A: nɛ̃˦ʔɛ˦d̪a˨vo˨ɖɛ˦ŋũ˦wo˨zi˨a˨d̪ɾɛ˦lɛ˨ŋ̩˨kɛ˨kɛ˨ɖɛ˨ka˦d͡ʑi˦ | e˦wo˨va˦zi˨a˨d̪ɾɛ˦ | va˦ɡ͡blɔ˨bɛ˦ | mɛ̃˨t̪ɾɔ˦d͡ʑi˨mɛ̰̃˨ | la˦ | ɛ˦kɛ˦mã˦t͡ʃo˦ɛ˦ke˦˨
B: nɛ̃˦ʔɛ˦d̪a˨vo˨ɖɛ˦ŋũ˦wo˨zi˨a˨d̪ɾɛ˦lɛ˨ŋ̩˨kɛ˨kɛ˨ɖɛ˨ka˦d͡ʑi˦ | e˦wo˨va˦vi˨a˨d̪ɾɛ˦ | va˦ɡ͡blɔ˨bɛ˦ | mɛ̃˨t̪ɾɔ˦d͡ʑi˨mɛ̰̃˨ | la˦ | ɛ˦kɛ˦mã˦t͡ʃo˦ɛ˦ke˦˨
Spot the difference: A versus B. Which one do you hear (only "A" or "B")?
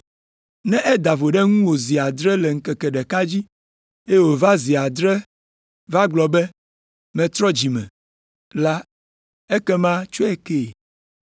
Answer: A